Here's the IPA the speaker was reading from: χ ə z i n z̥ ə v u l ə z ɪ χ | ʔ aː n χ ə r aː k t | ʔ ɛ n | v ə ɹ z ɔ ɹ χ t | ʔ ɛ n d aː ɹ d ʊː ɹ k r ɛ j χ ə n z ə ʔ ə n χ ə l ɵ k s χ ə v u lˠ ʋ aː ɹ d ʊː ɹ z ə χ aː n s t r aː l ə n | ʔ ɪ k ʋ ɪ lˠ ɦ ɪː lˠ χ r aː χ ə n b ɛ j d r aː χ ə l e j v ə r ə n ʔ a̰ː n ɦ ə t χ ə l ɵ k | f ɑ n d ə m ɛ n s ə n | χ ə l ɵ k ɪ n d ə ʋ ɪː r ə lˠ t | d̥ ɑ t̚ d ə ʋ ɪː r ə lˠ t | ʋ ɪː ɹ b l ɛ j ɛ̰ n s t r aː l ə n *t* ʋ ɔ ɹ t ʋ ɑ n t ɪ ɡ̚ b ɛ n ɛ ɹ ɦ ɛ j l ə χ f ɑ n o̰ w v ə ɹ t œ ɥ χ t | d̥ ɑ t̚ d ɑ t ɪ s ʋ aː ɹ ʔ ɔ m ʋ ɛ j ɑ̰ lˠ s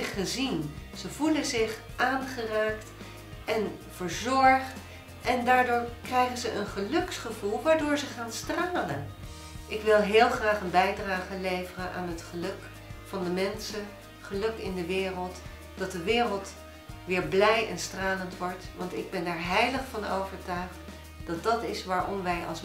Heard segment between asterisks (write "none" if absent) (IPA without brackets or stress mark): t